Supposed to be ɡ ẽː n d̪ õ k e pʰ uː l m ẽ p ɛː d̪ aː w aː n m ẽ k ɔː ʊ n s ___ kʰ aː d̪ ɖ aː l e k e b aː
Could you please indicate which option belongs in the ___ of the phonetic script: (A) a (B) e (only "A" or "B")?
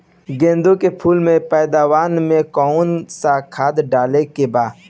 A